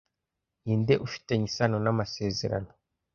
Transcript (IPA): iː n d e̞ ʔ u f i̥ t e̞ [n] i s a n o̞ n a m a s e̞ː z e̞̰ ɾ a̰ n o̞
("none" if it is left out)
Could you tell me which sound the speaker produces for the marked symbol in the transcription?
ɲ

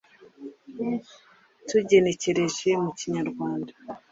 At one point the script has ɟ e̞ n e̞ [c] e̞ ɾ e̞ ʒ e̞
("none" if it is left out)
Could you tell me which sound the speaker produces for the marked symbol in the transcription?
c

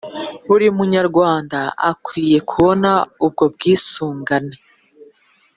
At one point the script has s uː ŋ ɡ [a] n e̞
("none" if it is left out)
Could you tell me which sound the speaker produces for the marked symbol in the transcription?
a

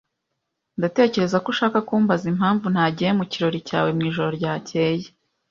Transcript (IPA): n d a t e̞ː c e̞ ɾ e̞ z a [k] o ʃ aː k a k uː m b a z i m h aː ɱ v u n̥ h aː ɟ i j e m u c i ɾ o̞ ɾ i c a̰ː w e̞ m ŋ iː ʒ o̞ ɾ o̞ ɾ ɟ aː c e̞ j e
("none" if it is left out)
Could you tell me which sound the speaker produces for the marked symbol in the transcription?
k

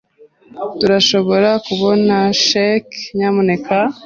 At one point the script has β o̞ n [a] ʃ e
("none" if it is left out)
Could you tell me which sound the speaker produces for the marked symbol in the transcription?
a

